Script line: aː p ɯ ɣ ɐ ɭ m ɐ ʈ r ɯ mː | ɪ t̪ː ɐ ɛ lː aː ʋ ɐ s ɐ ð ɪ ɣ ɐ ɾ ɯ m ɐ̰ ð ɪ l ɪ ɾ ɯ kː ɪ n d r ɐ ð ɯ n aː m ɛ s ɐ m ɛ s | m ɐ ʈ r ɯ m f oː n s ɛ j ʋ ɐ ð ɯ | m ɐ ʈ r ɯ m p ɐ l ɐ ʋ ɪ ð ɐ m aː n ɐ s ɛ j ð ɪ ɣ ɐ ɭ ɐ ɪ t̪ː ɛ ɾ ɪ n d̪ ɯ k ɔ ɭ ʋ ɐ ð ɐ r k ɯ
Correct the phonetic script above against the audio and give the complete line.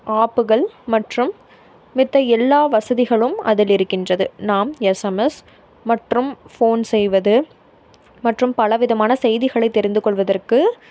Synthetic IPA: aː p ɯ ɣ ɐ ɭ m ɐ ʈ r ɯ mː | ɪ t̪ː ɐ ɛ lː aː ʋ ɐ s ɐ ð ɪ ɣ ɐ ɭ ɯ m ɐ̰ ð ɪ l ɪ ɾ ɯ kː ɪ n d r ɐ ð ɯ n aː m ɛ s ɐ m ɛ s | m ɐ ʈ r ɯ m f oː n s ɛ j ʋ ɐ ð ɯ | m ɐ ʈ r ɯ m p ɐ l ɐ ʋ ɪ ð ɐ m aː n ɐ s ɛ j ð ɪ ɣ ɐ ɭ ɐ ɪ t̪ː ɛ ɾ ɪ n d̪ ɯ k ɔ ɭ ʋ ɐ ð ɐ r k ɯ